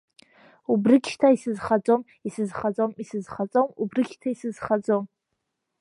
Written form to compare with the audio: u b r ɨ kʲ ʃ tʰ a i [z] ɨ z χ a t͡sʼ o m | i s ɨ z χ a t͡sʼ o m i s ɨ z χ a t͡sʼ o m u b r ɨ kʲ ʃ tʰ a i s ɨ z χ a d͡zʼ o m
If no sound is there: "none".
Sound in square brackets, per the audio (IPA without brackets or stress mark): s